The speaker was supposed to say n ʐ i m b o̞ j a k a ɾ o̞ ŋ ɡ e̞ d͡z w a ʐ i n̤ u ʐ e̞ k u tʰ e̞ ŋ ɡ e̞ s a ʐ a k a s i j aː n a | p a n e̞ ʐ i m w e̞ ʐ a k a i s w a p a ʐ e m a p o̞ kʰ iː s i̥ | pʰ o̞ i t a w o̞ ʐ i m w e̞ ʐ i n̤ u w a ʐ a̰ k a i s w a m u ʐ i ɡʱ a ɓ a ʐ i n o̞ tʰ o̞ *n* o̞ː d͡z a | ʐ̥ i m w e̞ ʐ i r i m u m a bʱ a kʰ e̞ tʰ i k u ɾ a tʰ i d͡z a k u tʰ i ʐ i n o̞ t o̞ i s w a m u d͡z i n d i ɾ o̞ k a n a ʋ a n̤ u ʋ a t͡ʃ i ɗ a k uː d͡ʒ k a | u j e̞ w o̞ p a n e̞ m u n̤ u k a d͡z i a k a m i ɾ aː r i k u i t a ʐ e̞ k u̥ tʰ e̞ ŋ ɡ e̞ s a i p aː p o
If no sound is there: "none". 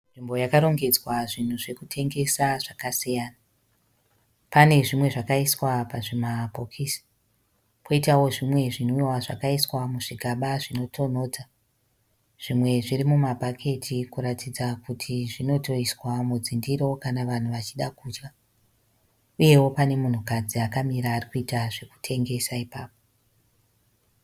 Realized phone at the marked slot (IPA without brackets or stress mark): n